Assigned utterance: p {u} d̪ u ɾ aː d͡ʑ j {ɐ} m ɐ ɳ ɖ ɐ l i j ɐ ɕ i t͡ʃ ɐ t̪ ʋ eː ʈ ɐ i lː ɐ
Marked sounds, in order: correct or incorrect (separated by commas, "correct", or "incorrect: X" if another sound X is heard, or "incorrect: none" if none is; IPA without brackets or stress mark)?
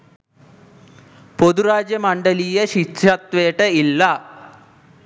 incorrect: o, correct